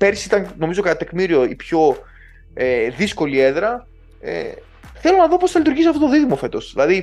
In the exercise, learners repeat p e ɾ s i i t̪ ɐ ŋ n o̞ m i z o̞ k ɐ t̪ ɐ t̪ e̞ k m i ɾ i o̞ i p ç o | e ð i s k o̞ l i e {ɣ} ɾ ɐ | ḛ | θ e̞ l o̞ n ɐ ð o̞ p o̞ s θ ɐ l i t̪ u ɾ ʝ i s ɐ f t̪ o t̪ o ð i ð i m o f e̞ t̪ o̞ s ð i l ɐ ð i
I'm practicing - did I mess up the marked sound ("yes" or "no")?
yes